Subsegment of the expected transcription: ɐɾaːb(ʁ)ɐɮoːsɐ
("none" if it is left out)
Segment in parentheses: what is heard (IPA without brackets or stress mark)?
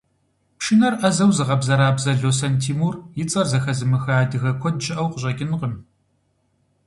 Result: z